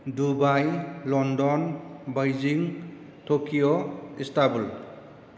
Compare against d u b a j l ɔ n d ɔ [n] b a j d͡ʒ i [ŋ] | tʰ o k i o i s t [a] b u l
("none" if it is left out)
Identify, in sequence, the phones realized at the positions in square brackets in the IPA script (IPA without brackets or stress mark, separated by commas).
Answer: n, ŋ, a